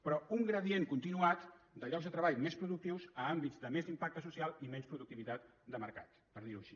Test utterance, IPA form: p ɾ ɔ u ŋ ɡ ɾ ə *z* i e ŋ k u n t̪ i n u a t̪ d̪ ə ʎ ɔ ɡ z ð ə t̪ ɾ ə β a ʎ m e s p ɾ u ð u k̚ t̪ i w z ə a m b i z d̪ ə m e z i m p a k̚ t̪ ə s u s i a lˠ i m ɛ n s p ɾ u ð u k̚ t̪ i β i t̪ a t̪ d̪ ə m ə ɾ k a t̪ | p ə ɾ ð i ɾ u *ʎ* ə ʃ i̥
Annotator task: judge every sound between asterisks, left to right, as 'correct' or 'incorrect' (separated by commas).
incorrect, incorrect